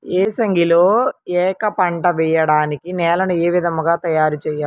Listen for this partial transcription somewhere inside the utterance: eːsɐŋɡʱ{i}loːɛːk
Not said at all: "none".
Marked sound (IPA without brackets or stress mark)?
i